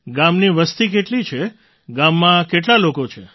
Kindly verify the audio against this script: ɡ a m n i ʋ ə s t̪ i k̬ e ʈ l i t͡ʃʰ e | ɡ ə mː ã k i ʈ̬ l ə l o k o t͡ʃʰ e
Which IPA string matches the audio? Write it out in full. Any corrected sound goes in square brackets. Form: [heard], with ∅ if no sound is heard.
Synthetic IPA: ɡ a m n i ʋ ə s t̪ i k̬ e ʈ l i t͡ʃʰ e | ɡ [a] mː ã k [e] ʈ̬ l [a] l o k o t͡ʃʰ e